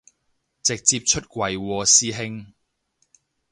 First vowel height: high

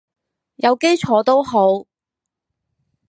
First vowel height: low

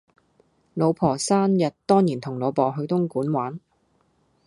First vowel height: mid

